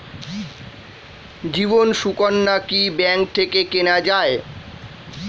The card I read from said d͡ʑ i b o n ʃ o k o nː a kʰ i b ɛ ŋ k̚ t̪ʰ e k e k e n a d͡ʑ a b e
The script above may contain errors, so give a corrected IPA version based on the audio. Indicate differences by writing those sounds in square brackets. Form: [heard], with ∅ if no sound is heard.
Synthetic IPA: d͡ʑ i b o n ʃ [u] k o nː a [k] i b ɛ ŋ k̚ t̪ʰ e k e k e n a d͡ʑ a [∅] e